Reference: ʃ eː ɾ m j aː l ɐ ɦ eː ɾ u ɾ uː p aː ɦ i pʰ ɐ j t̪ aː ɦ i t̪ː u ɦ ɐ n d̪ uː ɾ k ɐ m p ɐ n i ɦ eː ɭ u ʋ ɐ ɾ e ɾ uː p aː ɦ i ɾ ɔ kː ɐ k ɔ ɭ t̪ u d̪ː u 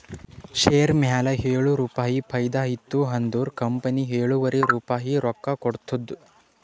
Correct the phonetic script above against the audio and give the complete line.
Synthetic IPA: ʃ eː ɾ m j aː l ɐ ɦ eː ɭ u ɾ uː p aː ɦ i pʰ ɐ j d̪ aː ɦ i t̪ː u ɦ ɐ n d̪ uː ɾ k ɐ m p ɐ n i ɦ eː ɭ u ʋ ɐ ɾ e ɾ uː p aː ɦ i ɾ ɔ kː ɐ k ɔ ɽ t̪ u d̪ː u